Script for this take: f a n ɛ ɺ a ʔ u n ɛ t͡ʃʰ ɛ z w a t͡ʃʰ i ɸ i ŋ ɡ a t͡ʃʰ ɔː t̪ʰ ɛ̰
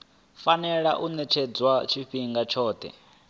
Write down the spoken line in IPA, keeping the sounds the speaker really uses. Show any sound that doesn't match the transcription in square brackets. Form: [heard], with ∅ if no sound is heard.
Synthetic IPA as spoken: f a n ɛ ɺ a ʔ u n ɛ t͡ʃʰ ɛ [d͡z] w a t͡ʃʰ i ɸ i ŋ ɡ a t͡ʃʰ ɔː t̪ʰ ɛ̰